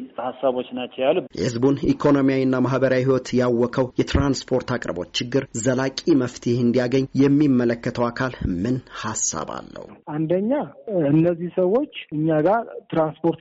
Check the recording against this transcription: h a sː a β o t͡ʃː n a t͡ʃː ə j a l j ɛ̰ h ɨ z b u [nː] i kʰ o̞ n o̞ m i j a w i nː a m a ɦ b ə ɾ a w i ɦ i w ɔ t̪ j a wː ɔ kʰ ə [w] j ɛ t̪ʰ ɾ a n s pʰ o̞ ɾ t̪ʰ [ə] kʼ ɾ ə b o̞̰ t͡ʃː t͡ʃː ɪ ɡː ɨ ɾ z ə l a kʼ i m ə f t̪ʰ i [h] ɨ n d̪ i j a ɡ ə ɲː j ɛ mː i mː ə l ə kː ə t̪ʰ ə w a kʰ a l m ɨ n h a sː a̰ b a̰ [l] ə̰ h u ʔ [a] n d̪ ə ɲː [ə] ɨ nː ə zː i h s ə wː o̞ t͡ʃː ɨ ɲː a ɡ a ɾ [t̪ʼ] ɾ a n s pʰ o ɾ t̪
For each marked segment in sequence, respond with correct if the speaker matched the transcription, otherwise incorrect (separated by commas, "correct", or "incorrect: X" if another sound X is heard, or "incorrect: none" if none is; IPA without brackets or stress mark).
incorrect: n, correct, incorrect: a, correct, incorrect: lː, correct, incorrect: a, incorrect: t̪